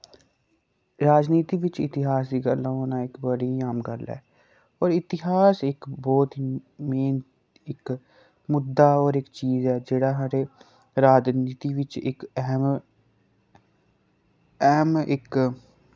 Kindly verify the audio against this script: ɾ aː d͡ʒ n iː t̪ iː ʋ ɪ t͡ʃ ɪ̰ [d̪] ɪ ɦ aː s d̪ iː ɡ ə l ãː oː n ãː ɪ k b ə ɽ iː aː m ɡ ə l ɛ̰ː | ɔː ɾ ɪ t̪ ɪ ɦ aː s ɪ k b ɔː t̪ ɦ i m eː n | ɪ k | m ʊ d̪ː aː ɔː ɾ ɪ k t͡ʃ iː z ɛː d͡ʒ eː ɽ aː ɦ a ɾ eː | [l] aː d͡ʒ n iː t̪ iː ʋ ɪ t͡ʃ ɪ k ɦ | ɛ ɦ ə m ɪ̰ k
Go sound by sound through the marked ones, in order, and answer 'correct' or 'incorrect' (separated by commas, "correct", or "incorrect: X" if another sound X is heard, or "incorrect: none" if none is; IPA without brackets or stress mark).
incorrect: t̪, incorrect: ɾ